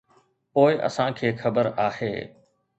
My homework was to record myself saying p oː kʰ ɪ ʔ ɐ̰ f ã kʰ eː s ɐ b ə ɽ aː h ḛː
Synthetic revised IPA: p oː ɪ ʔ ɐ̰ s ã kʰ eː x ɐ b ə ɾ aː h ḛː